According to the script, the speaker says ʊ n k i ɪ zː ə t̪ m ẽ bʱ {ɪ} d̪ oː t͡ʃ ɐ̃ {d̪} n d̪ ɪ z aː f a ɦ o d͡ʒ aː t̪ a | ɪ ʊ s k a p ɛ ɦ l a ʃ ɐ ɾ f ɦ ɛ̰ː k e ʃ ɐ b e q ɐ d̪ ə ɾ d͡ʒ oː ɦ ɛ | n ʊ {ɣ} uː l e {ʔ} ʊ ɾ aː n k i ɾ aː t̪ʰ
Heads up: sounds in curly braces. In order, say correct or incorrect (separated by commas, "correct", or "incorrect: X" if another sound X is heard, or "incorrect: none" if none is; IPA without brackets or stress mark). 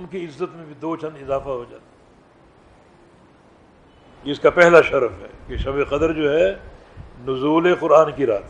incorrect: i, incorrect: none, incorrect: z, incorrect: q